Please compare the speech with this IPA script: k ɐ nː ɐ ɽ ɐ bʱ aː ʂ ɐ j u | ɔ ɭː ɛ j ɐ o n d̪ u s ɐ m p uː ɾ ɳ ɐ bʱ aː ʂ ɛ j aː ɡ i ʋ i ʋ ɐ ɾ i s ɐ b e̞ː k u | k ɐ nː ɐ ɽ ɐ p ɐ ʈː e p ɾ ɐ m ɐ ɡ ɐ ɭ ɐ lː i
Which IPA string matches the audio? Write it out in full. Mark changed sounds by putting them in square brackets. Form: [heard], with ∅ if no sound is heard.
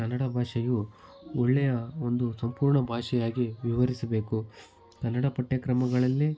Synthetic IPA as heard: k ɐ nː ɐ ɽ ɐ bʱ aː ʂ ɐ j u | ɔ ɭː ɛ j ɐ o n d̪ u s ɐ m p uː ɾ ɳ ɐ bʱ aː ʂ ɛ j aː ɡ i ʋ i ʋ ɐ ɾ i s ɐ b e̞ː k u | k ɐ nː ɐ ɽ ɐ p ɐ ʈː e [k] ɾ ɐ m ɐ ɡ ɐ ɭ ɐ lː i